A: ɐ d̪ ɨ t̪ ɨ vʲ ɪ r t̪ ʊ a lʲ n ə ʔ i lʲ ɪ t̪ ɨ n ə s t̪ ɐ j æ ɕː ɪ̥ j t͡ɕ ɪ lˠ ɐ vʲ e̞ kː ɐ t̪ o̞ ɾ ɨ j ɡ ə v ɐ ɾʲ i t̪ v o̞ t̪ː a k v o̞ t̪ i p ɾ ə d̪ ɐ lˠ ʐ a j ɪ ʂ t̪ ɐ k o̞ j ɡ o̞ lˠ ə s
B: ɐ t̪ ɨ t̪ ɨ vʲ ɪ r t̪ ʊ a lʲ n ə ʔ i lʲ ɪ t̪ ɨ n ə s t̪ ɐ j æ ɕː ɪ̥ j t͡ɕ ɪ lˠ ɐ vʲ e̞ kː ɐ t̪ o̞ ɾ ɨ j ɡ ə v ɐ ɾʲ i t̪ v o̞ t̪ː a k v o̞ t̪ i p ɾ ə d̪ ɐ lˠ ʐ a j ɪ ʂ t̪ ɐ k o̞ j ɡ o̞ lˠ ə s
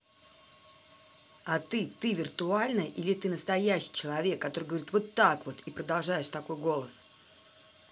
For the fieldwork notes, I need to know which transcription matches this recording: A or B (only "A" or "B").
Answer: B